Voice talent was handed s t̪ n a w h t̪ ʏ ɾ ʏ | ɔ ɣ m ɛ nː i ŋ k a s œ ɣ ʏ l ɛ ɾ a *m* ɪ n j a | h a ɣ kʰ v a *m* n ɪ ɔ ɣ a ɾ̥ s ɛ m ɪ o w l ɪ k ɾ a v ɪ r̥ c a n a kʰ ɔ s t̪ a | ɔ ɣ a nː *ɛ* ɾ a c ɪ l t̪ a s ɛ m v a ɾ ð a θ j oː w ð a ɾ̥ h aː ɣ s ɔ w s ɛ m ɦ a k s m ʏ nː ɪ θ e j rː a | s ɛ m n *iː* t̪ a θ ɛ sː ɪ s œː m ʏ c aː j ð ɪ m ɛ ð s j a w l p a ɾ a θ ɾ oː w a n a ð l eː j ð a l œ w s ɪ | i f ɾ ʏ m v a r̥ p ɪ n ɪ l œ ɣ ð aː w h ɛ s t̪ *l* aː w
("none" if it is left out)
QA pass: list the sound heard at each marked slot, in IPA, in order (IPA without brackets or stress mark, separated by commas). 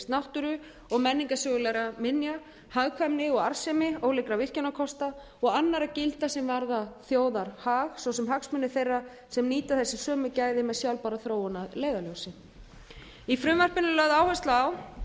m, m, a, iː, l